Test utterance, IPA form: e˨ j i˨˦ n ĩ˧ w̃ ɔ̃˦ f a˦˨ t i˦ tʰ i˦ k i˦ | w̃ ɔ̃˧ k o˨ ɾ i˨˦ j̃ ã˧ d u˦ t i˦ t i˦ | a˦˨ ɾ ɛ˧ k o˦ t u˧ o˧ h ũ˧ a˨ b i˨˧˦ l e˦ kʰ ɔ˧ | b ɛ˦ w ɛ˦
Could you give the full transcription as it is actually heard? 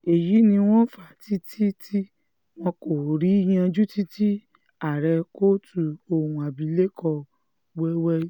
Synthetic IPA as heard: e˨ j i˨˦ n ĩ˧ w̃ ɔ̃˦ f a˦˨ t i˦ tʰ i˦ t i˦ | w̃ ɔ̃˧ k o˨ ɾ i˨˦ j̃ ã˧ d͡ʒ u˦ t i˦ t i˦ | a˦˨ ɾ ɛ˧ k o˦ t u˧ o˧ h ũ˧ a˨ b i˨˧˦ l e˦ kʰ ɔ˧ | w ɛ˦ w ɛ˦